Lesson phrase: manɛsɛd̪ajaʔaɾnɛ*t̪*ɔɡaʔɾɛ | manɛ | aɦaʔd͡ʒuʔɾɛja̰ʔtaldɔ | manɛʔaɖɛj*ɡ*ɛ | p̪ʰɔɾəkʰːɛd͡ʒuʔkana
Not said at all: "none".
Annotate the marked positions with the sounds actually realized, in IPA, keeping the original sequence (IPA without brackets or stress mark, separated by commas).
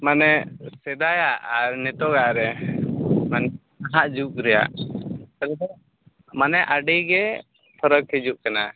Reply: t̪, ɡ